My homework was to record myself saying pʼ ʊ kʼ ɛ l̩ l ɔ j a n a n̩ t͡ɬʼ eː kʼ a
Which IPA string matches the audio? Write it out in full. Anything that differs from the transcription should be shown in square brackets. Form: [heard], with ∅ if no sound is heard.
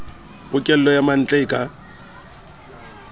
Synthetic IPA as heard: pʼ ʊ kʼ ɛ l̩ l ɔ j a [m] a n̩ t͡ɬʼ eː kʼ a